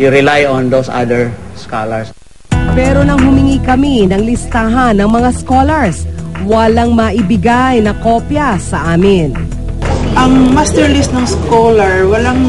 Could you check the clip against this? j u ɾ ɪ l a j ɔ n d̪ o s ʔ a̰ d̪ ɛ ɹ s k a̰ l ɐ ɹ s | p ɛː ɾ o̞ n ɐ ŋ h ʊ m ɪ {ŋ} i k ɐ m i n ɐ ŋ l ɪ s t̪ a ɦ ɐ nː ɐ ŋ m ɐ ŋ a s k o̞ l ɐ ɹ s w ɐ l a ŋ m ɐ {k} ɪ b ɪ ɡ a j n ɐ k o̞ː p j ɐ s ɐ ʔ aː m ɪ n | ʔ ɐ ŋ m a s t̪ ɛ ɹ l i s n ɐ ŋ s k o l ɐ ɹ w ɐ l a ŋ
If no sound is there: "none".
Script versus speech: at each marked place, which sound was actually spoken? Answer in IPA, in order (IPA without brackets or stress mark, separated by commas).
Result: ŋ, ʔ